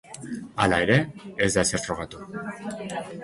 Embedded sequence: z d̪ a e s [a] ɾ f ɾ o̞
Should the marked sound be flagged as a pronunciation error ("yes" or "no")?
yes